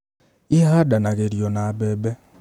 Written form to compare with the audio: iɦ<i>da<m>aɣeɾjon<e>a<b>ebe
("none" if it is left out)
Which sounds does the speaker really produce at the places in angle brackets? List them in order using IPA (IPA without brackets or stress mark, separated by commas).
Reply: a, n, a, b